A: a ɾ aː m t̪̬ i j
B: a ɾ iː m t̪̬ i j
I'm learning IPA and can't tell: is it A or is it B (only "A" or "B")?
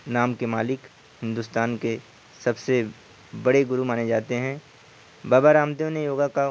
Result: A